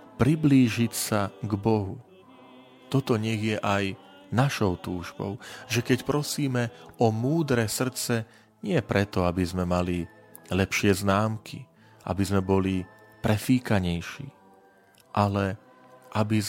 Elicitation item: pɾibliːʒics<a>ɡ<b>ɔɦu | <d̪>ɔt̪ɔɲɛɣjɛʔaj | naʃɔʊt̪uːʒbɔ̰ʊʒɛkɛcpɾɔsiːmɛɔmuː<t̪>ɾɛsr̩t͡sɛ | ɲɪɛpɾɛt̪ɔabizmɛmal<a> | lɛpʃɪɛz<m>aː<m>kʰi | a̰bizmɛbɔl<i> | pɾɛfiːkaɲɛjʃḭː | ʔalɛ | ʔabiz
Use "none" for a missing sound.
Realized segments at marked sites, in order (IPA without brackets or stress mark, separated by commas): a, b, t̪, d̪, i, n, m, i